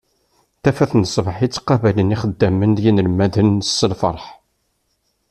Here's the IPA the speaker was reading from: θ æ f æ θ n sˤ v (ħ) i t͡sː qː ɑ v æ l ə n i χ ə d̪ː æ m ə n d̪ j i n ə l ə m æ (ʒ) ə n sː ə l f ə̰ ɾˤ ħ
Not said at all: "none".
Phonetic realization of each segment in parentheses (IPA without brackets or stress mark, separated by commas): ħ, ð